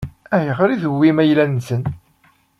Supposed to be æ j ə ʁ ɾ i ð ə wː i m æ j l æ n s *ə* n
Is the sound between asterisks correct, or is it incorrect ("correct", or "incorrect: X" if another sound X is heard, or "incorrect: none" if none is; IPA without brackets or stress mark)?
correct